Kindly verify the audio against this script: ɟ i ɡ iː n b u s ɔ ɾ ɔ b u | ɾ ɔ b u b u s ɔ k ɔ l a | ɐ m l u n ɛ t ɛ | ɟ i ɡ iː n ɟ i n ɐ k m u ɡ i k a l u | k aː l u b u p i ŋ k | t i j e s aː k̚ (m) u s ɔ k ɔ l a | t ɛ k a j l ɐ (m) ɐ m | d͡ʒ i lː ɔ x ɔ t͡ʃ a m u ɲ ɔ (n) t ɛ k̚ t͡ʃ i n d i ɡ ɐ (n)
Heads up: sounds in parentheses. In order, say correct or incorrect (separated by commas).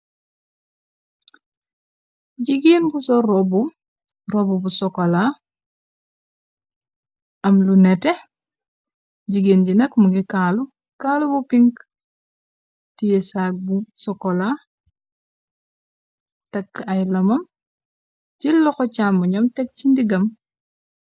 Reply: incorrect, correct, incorrect, incorrect